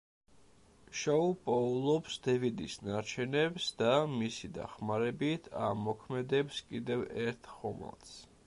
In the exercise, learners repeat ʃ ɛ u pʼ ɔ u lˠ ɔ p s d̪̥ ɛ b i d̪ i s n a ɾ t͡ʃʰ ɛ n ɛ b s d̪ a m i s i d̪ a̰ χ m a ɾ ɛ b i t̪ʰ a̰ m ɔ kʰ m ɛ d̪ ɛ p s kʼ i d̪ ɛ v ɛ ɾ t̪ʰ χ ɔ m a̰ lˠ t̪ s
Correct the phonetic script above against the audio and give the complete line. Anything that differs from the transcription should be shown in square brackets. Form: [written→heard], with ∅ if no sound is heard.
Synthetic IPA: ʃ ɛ u pʼ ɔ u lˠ ɔ p s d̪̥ ɛ [b→v] i d̪ i s n a ɾ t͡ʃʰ ɛ n ɛ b s d̪ a m i s i d̪ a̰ χ m a ɾ ɛ b i t̪ʰ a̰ m ɔ kʰ m ɛ d̪ ɛ p s kʼ i d̪ ɛ v ɛ ɾ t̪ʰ χ ɔ m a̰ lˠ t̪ s

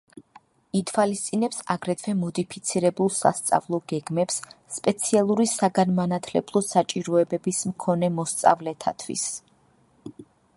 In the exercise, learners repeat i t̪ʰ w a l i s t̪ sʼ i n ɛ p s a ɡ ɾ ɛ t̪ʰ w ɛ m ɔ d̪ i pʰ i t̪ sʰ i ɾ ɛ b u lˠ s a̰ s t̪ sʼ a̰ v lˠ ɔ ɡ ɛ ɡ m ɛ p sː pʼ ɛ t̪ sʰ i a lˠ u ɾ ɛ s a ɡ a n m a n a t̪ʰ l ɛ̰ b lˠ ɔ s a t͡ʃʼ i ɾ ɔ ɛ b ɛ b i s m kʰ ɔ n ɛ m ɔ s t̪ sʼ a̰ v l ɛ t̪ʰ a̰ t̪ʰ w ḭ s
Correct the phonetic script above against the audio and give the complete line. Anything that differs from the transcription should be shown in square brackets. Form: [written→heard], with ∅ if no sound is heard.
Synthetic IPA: i t̪ʰ w a l i s t̪ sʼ i n ɛ p s a ɡ ɾ ɛ t̪ʰ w ɛ m ɔ d̪ i pʰ i t̪ sʰ i ɾ ɛ b u lˠ s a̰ s t̪ sʼ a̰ v lˠ ɔ ɡ ɛ ɡ m ɛ p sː pʼ ɛ t̪ sʰ i a lˠ u ɾ [ɛ→i] s a ɡ a n m a n a t̪ʰ l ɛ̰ b lˠ ɔ s a t͡ʃʼ i ɾ ɔ ɛ b ɛ b i s m kʰ ɔ n ɛ m ɔ s t̪ sʼ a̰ v l ɛ t̪ʰ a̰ t̪ʰ w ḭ s

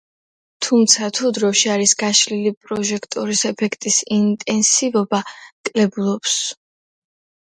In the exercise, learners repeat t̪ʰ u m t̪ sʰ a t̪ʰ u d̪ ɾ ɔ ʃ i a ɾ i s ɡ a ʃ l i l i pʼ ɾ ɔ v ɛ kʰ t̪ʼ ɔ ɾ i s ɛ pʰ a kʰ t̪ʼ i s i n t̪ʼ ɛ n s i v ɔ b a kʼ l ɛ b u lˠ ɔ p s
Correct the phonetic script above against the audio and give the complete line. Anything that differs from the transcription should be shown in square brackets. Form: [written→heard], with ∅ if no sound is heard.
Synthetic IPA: t̪ʰ u m t̪ sʰ a t̪ʰ u d̪ ɾ ɔ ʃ i a ɾ i s ɡ a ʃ l i l i pʼ ɾ ɔ [v→ʒ] ɛ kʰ t̪ʼ ɔ ɾ i s ɛ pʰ [a→ɛ] kʰ t̪ʼ i s i n t̪ʼ ɛ n s i v ɔ b a kʼ l ɛ b u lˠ ɔ p s

